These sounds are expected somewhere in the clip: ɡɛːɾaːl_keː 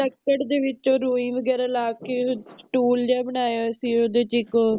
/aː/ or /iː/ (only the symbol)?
aː